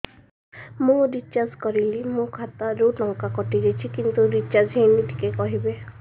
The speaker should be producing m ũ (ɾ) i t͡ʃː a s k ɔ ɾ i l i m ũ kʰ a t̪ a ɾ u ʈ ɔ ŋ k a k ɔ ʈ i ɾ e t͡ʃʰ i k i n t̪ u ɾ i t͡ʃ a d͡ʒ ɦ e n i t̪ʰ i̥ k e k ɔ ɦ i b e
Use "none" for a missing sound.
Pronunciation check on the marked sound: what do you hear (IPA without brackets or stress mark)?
ɾ